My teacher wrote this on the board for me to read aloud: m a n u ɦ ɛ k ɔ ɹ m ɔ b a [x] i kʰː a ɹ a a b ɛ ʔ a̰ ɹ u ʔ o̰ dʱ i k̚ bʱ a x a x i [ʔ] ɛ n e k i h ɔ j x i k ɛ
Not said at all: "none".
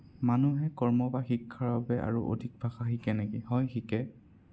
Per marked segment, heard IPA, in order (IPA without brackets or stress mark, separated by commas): x, k